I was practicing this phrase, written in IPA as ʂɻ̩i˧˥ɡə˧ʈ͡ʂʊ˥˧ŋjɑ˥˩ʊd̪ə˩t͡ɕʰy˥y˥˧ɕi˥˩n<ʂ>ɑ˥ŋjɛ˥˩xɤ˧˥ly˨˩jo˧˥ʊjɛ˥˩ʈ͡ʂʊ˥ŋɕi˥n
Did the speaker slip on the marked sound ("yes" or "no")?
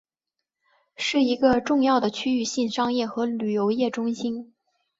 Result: no